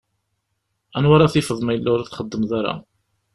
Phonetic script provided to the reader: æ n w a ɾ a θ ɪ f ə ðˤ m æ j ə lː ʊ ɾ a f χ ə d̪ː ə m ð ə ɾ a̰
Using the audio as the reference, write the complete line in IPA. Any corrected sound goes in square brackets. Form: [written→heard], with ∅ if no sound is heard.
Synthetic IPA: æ n w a ɾ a θ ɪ f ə ðˤ m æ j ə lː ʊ ɾ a [f→θ] χ ə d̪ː ə m ð [ə→a] ɾ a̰